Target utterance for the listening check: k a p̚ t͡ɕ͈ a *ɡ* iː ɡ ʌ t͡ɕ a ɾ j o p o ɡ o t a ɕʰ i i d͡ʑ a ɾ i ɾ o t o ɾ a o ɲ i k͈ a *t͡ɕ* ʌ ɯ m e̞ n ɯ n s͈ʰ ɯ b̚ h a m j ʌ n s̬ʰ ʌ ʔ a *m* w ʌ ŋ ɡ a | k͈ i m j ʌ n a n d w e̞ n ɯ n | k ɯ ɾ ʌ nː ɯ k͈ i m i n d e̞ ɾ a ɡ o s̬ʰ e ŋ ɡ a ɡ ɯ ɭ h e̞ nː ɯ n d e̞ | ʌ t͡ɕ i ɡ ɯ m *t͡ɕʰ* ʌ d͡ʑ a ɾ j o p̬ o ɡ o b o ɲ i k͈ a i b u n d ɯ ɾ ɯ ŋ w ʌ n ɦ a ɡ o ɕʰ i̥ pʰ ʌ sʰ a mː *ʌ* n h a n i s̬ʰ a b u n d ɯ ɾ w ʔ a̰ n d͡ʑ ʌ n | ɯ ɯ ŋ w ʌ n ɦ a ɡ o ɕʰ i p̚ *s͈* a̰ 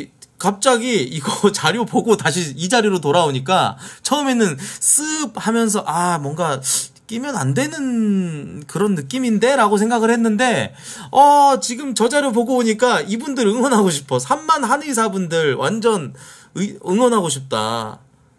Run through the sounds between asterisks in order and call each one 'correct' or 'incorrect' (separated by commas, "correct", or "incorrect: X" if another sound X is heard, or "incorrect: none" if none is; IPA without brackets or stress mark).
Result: correct, incorrect: t͡ɕʰ, correct, incorrect: t͡ɕ, incorrect: a, incorrect: t͈